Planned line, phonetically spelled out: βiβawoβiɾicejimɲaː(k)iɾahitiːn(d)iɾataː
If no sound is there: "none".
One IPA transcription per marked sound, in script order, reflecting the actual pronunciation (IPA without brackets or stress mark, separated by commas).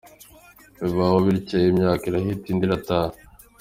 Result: k, d